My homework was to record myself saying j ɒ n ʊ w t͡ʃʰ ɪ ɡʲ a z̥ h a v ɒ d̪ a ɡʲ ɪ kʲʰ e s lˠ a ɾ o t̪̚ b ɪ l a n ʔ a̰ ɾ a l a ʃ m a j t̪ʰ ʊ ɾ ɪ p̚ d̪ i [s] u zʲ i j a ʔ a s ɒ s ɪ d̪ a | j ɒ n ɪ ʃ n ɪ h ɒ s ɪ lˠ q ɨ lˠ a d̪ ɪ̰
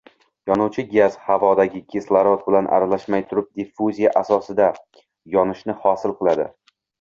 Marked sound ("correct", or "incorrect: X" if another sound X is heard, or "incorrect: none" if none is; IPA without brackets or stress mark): incorrect: f